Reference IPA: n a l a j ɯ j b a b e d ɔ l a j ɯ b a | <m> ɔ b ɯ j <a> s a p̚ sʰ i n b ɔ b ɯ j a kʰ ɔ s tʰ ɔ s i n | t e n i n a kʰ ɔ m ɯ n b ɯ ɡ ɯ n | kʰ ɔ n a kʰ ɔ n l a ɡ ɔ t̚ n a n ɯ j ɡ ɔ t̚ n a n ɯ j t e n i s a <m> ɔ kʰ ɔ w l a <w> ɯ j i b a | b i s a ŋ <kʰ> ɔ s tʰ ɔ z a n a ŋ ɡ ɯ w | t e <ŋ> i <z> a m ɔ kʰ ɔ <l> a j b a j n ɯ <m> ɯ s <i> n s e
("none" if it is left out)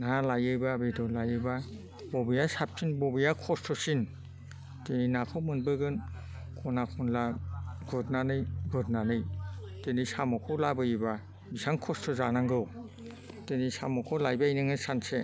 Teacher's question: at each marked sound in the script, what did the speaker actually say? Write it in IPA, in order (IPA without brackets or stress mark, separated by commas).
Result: b, a, m, b, kʰ, n, s, l, ŋ, a